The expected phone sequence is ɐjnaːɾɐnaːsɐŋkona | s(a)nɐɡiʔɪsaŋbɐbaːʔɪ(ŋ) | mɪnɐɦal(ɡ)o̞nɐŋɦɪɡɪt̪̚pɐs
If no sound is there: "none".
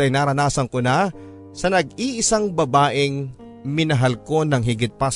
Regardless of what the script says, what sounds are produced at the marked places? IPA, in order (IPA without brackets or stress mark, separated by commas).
ɐ, ŋ, k